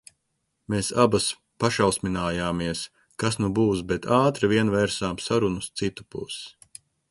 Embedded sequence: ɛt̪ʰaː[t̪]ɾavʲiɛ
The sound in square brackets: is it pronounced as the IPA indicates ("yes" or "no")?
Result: yes